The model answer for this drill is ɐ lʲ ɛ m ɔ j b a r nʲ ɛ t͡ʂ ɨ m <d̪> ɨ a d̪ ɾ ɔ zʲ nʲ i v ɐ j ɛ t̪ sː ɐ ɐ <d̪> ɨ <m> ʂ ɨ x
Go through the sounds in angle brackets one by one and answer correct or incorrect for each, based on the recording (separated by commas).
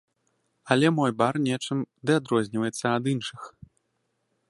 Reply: correct, correct, incorrect